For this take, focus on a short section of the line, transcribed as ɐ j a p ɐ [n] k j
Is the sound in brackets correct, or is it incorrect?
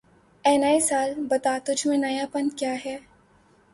correct